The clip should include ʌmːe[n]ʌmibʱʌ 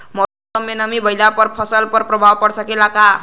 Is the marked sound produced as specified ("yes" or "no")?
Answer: yes